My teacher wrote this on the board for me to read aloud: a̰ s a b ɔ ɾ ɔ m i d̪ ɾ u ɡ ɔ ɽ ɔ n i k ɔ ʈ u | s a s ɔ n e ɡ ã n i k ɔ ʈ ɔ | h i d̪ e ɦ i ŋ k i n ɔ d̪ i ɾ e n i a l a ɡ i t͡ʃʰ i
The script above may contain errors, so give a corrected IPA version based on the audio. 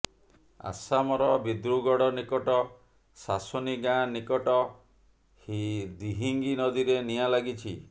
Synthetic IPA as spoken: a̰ s a m ɔ ɾ ɔ b i d̪ ɾ u ɡ ɔ ɽ ɔ n i k ɔ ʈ ɔ | s a s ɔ n i ɡ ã n i k ɔ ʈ ɔ | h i d̪ i ɦ i ŋ ɡ i n ɔ d̪ i ɾ e n i a l a ɡ i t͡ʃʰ i